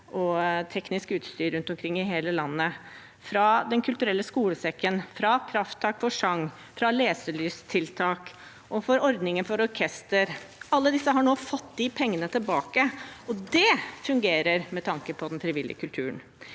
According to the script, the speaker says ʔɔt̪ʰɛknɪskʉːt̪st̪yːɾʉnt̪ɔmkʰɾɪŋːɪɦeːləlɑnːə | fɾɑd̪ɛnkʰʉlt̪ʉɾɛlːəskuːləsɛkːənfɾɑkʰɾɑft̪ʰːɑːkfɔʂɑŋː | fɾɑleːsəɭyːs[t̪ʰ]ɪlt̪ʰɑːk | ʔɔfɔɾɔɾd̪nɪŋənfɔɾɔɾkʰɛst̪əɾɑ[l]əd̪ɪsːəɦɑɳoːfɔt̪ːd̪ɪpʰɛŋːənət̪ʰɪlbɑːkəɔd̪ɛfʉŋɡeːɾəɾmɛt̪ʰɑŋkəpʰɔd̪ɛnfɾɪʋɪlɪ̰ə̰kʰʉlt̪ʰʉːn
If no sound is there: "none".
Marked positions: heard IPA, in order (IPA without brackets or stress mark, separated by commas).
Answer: t̪ʰ, lː